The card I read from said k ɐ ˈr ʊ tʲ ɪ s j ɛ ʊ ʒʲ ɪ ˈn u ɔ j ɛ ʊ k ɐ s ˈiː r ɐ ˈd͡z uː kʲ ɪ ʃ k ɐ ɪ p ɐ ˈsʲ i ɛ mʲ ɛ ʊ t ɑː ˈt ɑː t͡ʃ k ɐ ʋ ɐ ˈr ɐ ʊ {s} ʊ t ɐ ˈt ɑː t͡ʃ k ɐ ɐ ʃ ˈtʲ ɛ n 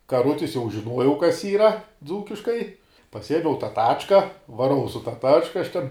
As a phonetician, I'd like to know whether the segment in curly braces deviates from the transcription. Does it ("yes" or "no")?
no